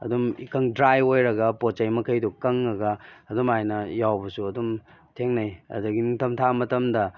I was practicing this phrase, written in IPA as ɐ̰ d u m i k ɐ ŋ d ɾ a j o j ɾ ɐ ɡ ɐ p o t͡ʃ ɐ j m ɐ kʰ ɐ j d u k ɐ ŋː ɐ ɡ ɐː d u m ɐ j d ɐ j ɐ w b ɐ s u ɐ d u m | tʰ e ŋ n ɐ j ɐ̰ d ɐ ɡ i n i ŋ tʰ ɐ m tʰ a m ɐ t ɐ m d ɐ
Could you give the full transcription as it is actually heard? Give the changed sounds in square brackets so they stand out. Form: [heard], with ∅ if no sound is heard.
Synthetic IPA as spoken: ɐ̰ d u m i k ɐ ŋ d ɾ a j o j ɾ ɐ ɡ ɐ p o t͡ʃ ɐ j m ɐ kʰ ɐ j d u k ɐ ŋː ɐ ɡ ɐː d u m [a] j [n] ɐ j [a] w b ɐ s u ɐ d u m | tʰ e ŋ n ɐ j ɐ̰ d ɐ ɡ i n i ŋ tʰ ɐ m tʰ a m ɐ t ɐ m d ɐ